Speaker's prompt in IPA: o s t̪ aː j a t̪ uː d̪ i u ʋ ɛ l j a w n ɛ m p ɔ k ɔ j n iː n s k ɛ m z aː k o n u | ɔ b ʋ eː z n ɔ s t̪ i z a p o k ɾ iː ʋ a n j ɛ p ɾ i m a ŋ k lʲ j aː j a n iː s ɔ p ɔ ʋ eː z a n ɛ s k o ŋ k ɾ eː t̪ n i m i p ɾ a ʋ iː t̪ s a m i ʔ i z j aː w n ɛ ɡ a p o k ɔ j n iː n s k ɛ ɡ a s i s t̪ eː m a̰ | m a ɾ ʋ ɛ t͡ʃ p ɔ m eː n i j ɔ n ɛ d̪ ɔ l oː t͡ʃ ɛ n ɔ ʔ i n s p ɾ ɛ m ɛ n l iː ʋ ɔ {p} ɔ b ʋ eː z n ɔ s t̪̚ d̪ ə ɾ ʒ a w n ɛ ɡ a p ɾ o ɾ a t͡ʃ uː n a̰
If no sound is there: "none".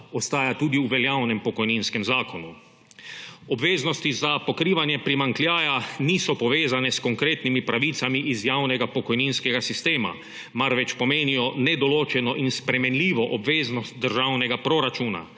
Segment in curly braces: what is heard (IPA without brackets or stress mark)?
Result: ʔ